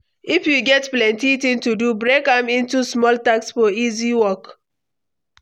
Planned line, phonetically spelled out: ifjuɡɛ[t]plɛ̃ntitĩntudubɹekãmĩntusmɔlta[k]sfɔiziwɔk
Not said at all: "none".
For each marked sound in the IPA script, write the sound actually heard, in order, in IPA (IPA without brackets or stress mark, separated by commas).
t, k